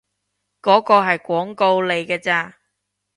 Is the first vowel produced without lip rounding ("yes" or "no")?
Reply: no